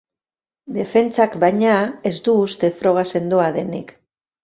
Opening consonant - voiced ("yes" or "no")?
yes